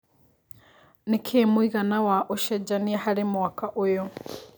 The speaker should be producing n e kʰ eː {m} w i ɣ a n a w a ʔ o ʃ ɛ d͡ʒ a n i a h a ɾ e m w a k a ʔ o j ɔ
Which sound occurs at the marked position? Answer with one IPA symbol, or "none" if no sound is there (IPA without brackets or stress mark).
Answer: m